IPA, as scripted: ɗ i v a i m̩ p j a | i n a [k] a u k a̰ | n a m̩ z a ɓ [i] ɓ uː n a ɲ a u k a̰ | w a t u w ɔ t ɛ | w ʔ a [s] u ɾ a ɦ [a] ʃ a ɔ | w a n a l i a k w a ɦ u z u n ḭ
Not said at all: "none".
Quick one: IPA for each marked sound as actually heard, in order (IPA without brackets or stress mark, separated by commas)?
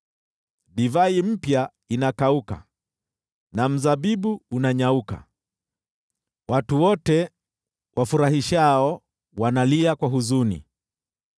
k, i, f, i